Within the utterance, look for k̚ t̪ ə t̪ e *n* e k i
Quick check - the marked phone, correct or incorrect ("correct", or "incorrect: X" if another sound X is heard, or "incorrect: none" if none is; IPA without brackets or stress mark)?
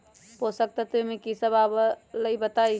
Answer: incorrect: m